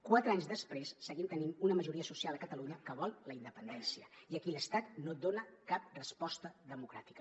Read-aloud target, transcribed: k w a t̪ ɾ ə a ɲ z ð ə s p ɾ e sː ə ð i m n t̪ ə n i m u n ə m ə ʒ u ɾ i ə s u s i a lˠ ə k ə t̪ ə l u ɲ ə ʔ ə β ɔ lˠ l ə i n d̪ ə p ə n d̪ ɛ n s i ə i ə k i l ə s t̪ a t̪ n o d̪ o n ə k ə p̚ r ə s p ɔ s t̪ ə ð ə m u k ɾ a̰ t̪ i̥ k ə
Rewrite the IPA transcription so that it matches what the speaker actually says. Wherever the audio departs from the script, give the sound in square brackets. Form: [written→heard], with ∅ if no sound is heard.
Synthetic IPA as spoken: k w a t̪ ɾ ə a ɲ z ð ə s p ɾ e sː ə [ð→ɣ] i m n t̪ ə n i m u n ə m ə ʒ u ɾ i ə s u s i a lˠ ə k ə t̪ ə l u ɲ ə [ʔ→k] ə β ɔ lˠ l ə i n d̪ ə p ə n d̪ ɛ n s i ə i ə k i l ə s t̪ a t̪ n o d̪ o n ə k [ə→a] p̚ r ə s p ɔ s t̪ ə ð ə m u k ɾ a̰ t̪ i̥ k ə